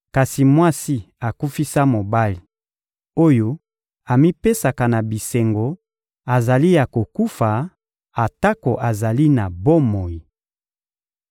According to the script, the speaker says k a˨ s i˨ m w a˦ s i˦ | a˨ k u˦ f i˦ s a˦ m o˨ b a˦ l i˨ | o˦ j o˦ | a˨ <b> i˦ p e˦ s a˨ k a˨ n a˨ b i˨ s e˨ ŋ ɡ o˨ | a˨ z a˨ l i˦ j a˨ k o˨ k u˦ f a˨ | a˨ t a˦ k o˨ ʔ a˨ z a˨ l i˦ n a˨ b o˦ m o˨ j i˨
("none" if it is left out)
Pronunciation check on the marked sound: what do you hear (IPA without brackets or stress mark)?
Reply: m